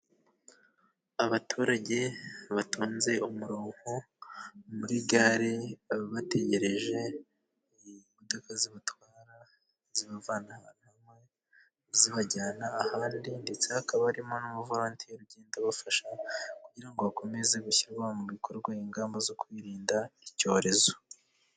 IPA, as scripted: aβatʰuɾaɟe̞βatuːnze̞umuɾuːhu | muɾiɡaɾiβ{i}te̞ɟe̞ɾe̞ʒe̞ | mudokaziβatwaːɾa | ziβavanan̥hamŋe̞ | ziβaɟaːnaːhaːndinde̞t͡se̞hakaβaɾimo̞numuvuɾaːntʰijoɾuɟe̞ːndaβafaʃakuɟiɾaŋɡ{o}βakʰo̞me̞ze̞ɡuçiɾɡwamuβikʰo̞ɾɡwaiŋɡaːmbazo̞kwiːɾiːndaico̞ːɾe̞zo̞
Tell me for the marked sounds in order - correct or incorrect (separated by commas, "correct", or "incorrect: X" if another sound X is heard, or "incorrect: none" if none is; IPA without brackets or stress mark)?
incorrect: a, correct